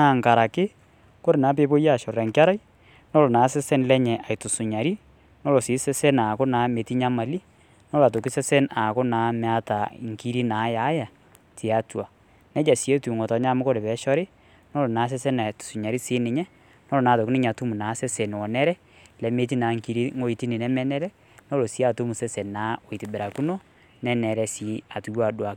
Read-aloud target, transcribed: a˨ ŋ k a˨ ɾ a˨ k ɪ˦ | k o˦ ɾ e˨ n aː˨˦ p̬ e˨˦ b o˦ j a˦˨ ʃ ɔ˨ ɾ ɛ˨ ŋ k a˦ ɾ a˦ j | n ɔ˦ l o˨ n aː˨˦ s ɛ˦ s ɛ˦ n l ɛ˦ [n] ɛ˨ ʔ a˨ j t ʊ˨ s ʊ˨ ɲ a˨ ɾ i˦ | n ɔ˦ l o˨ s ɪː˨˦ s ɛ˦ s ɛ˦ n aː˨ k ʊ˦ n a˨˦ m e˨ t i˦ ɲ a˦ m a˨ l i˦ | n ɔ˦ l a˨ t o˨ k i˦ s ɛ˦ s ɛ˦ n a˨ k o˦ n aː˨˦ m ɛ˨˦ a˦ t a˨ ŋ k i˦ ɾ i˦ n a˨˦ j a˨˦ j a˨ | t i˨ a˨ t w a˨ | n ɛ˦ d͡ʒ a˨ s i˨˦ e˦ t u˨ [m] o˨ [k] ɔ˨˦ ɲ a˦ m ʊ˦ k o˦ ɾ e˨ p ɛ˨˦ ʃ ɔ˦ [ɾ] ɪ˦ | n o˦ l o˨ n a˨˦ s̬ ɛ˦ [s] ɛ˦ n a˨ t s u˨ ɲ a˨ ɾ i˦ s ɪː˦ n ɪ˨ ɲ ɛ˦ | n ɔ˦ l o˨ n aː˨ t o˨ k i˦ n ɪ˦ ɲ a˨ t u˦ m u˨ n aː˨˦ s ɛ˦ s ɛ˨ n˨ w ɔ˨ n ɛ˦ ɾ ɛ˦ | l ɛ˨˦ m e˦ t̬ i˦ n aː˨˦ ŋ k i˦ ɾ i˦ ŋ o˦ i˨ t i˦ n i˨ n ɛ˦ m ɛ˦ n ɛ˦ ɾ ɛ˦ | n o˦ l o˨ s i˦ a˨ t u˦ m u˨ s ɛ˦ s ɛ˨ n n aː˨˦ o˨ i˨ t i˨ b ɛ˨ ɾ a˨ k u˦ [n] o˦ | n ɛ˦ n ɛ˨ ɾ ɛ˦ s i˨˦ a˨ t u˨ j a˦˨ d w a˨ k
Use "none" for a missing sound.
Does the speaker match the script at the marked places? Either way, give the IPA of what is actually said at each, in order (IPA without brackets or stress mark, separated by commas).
ɲ, ŋ, t, ɾ, s, n